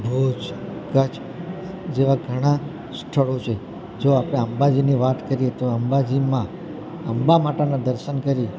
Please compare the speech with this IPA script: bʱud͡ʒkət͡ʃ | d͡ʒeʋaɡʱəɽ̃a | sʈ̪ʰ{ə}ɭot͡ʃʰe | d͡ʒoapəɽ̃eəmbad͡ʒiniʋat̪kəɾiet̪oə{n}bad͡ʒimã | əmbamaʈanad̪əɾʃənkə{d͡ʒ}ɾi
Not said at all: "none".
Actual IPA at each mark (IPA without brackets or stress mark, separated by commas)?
ə, m, none